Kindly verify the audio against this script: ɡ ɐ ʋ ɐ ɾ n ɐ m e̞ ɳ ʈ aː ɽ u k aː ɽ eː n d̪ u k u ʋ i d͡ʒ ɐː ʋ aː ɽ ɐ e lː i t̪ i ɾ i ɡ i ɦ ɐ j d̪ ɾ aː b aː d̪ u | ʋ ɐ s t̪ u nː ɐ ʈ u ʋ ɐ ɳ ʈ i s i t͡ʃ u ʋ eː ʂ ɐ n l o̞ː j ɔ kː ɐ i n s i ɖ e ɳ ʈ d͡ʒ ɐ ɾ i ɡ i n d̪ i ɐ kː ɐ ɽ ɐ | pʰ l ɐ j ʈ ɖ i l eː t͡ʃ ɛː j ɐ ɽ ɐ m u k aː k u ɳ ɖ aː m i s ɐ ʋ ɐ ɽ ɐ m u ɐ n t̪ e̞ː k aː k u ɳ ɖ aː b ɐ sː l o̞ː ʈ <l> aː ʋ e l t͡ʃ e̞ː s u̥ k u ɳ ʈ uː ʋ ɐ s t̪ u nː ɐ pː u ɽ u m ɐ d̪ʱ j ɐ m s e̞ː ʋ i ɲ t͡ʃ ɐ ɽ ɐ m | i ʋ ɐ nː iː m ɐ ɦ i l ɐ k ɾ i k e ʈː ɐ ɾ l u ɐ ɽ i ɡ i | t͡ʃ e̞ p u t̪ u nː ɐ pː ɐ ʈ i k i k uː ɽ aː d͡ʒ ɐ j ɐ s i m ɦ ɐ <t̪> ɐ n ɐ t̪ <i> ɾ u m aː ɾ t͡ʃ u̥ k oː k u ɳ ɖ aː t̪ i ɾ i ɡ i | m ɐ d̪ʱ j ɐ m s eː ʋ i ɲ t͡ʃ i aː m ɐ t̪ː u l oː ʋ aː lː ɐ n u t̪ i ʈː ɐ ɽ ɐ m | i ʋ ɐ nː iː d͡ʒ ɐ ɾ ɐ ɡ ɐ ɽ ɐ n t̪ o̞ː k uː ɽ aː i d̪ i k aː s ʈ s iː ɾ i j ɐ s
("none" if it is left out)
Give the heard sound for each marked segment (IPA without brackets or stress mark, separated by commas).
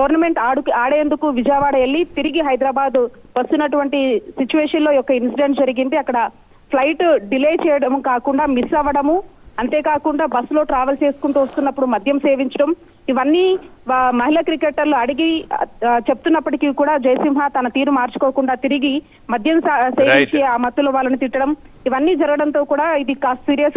ɾ, t̪, iː